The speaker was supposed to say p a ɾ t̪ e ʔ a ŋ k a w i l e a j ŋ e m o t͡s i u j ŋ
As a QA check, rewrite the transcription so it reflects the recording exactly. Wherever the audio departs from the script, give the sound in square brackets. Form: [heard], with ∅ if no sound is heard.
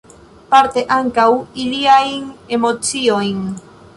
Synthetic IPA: p a ɾ t̪ e ʔ a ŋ k a w i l [i] a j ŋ e m o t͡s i [o] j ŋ